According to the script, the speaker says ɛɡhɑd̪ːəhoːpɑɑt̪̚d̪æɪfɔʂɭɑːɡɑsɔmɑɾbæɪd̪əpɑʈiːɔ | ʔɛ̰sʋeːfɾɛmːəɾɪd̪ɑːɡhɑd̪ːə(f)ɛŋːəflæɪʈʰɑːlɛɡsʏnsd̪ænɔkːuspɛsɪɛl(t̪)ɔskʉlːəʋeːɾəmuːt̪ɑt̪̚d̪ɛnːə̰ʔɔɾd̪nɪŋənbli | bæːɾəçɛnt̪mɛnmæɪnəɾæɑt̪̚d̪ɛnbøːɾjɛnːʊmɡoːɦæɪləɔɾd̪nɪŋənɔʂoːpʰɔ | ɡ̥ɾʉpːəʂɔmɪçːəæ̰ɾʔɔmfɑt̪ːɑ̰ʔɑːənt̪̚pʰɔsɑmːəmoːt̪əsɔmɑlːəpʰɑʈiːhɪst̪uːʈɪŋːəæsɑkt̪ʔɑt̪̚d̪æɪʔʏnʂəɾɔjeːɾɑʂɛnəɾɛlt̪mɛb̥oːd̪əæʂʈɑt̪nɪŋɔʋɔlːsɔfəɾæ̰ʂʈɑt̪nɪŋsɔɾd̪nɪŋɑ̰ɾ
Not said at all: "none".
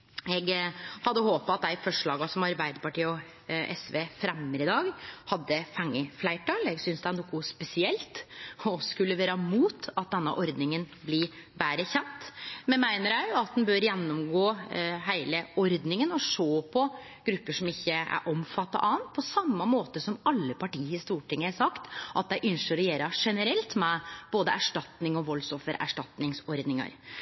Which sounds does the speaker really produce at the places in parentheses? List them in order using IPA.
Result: f, t̪

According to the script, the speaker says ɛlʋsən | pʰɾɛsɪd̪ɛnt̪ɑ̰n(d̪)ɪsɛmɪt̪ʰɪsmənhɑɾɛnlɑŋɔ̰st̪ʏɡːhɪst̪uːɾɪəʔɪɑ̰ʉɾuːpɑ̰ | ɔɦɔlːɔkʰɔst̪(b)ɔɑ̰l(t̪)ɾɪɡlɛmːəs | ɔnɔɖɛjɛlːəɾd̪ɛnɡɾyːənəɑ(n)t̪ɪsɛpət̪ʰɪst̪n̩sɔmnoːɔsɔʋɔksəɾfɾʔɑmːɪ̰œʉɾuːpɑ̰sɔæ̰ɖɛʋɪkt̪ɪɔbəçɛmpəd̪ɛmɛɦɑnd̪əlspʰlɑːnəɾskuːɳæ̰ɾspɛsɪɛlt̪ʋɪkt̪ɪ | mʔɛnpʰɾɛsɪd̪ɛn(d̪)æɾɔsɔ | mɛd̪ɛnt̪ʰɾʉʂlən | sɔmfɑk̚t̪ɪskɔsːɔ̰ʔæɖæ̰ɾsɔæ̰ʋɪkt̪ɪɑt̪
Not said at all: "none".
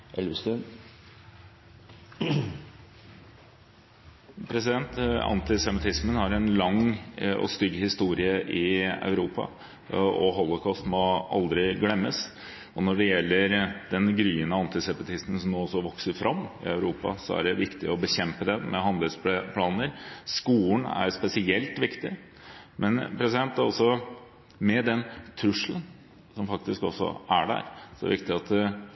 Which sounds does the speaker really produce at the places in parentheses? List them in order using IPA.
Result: t̪, m, d̪, n, t̪

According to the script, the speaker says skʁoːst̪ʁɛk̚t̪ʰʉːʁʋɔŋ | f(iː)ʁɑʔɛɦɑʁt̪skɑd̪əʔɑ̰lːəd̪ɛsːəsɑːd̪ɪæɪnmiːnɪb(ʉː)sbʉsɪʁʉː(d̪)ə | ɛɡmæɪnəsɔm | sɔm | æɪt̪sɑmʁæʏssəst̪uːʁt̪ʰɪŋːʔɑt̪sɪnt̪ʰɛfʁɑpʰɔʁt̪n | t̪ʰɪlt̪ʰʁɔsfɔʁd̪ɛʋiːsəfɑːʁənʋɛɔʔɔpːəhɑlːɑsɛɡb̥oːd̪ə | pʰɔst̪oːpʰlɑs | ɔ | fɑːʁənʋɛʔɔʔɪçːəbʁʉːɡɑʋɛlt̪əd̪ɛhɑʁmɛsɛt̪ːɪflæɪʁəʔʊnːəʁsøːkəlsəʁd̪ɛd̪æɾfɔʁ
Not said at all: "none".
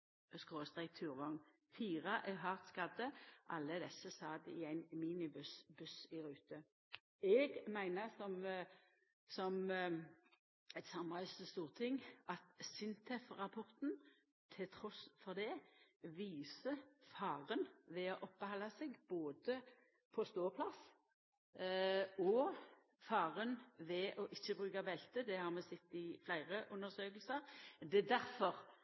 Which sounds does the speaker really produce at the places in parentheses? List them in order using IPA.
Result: iː, ʉ, t̪

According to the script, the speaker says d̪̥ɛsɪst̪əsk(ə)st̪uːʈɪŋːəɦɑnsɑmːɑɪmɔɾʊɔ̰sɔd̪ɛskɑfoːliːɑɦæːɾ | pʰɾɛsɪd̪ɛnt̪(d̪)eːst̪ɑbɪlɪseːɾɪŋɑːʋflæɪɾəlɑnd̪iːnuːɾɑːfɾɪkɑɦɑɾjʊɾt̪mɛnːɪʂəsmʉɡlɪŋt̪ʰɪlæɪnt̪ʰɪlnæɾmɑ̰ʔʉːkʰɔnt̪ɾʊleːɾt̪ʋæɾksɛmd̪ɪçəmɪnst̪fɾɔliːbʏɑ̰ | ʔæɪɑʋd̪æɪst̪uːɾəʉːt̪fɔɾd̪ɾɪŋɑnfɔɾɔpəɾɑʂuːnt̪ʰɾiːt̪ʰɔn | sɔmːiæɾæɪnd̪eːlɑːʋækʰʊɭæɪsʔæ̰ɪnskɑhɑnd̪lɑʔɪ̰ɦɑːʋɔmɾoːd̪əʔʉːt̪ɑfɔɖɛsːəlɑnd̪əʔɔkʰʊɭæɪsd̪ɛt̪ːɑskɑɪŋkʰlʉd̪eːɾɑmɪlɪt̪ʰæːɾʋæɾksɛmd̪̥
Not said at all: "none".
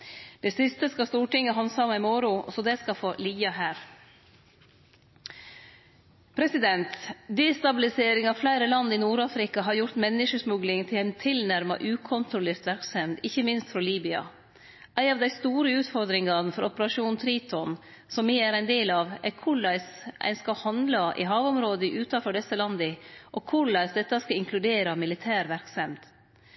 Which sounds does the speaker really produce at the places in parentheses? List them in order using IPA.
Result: ɑ, d̪

